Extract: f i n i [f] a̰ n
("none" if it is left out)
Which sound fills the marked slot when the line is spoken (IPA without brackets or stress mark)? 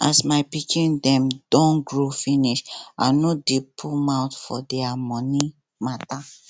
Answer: ʃ